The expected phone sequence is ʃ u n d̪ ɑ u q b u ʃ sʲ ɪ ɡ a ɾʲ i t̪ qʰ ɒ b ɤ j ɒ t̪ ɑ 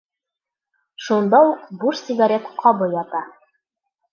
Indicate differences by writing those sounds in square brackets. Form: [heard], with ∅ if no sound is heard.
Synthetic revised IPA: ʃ u n d̪ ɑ u q b u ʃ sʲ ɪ ɡ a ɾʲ [e] t̪ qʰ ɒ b ɤ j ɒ t̪ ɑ